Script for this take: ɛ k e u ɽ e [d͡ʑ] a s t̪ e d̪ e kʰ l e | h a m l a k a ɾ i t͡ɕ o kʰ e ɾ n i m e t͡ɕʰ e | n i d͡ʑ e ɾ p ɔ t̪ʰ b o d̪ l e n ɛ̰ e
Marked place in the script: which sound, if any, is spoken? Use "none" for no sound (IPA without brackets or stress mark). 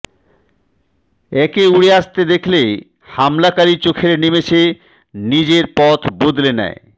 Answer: none